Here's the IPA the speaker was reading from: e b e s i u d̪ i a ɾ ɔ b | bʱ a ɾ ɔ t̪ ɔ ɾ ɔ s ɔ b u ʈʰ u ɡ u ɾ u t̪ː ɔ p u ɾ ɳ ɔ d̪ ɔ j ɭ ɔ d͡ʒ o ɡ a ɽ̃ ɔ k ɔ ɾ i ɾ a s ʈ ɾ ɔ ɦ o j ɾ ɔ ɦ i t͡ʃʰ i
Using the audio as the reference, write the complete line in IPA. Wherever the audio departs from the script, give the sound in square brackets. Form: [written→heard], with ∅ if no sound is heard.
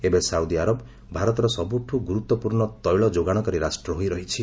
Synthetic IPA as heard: e b e s [i→a] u d̪ i a ɾ ɔ b | bʱ a ɾ ɔ t̪ ɔ ɾ ɔ s ɔ b u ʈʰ u ɡ u ɾ u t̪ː ɔ p u ɾ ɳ ɔ [d̪→t̪] ɔ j ɭ ɔ d͡ʒ o ɡ a ɽ̃ ɔ k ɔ ɾ i ɾ a s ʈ ɾ ɔ ɦ o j ɾ ɔ ɦ i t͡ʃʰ i